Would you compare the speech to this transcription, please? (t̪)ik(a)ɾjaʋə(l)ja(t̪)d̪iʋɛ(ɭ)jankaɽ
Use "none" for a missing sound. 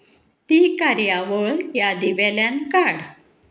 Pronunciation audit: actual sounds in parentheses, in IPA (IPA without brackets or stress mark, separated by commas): t̪, a, ɾ, none, l